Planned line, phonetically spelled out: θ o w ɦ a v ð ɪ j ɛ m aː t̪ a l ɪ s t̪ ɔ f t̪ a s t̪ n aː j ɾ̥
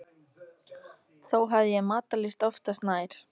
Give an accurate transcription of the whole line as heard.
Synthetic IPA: θ o w ɦ a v ð ɪ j ɛ m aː t̪ a l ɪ s t̪ ɔ f t̪ a s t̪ n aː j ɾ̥